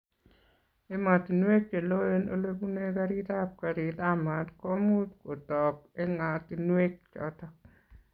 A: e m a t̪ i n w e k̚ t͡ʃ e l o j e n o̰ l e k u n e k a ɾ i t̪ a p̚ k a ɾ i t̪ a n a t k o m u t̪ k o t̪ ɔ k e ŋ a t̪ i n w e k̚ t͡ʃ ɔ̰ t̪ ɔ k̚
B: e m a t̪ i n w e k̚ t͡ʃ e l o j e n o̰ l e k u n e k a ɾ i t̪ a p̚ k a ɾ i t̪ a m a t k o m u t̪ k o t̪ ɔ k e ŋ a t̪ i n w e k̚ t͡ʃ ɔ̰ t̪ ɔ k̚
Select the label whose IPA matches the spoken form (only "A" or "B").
B